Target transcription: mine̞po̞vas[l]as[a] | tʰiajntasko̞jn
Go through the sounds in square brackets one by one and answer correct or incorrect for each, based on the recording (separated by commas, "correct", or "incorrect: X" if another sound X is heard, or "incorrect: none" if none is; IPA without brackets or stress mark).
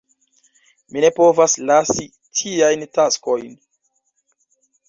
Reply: correct, incorrect: i